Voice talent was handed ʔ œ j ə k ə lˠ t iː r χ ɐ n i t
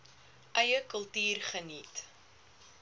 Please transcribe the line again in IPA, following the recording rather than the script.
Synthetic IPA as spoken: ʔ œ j ə k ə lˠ t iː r χ ə n i t

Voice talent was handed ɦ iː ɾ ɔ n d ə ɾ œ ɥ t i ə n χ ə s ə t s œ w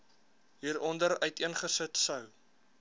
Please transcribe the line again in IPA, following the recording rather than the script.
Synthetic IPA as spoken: ɦ iː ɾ ɔ n d ə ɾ œ ɥ t i ə n χ ə s ə t s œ w

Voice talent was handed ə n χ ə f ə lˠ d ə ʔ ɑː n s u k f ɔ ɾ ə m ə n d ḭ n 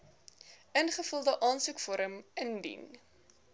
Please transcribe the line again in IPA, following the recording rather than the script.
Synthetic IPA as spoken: ə n χ ə f ə lˠ d ə ʔ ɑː n s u k f ɔ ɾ ə m ə n d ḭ n

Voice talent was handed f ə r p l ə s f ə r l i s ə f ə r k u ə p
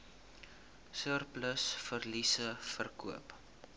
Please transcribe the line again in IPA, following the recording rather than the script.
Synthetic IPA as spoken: s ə r p l ə s f ə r l i s ə f ə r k u ə p

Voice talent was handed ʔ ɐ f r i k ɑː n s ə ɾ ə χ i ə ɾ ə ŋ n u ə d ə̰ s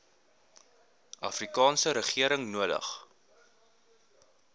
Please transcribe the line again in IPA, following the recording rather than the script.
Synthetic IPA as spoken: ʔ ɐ f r i k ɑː n s ə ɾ ə χ i ə ɾ ə ŋ n u ə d ə̰ χ

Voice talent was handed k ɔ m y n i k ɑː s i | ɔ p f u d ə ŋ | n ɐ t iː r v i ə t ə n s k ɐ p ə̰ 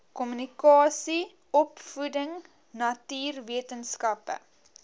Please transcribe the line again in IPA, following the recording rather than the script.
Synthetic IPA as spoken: k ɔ m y n i k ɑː s i | ɔ p f u d ə ŋ | n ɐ t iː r v i ə t ə n s k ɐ p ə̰

